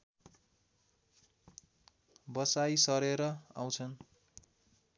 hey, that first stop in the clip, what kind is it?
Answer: plain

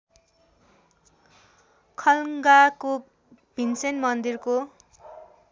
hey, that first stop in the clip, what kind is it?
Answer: aspirated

